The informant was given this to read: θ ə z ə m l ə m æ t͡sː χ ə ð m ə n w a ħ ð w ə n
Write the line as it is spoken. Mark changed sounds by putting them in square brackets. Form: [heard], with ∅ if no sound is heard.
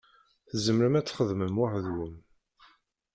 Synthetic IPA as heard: θ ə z ə m [ɾ] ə m æ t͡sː χ ə ð m ə [m] w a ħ ð w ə [m]